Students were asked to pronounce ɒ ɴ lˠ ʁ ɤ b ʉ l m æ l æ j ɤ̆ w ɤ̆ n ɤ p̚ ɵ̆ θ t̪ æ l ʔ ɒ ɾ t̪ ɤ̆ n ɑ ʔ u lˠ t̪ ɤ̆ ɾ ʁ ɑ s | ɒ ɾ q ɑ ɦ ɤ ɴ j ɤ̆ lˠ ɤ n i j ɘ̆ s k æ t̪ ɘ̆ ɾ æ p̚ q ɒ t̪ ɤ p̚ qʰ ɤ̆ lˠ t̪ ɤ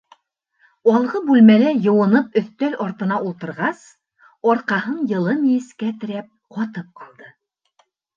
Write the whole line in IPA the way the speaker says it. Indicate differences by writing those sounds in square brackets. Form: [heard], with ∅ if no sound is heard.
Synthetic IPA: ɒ [∅] lˠ ʁ ɤ b ʉ l m æ l æ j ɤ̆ w ɤ̆ n ɤ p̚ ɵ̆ θ t̪ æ l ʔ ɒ ɾ t̪ ɤ̆ n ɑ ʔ u lˠ t̪ ɤ̆ ɾ ʁ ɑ s | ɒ ɾ q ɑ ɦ ɤ ɴ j ɤ̆ lˠ ɤ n i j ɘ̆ s k æ t̪ ɘ̆ ɾ æ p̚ q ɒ t̪ ɤ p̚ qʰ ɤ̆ lˠ [d̪] ɤ